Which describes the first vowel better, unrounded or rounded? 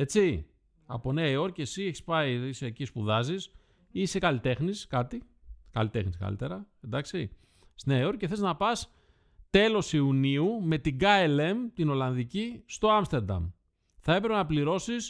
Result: unrounded